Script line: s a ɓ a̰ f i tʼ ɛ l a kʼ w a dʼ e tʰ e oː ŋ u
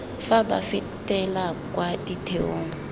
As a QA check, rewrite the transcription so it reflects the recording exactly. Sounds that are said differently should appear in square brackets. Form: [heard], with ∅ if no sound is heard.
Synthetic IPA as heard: [f] a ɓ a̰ f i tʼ ɛ l a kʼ w a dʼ [i] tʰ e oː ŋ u